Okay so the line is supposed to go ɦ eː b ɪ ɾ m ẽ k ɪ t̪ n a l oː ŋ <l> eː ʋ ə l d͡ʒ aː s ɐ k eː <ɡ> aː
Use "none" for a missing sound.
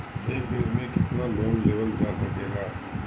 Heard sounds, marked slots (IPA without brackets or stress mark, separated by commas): l, ɡ